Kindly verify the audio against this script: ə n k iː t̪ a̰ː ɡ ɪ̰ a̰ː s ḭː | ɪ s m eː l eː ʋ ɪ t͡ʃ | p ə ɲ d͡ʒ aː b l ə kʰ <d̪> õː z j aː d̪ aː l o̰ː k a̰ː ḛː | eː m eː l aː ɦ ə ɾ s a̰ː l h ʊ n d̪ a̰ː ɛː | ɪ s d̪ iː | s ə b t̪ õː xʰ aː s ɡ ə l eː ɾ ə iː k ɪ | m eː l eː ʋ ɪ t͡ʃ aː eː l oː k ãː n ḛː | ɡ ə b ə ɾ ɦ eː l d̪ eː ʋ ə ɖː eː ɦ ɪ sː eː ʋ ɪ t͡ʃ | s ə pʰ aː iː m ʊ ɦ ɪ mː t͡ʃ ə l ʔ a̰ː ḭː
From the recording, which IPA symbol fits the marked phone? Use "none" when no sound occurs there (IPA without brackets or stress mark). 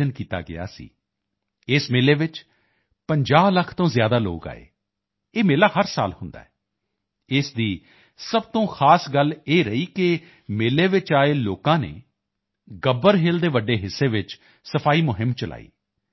t̪